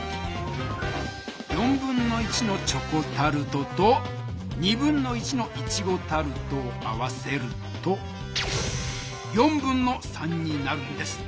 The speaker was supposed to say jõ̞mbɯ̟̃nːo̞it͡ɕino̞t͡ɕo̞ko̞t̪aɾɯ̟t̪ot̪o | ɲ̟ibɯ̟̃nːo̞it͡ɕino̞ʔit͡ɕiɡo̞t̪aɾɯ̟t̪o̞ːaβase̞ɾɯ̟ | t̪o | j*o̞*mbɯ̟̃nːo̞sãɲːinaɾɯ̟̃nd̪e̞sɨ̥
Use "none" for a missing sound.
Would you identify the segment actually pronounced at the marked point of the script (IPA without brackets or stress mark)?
õ̞